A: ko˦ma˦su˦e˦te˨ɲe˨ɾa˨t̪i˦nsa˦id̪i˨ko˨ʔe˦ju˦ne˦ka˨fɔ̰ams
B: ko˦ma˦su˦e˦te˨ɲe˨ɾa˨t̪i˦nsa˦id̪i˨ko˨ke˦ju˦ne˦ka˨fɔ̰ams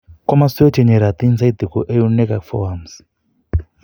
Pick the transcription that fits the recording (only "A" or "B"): A